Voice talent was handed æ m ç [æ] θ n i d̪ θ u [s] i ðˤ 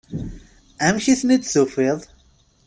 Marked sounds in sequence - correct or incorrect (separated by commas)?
incorrect, incorrect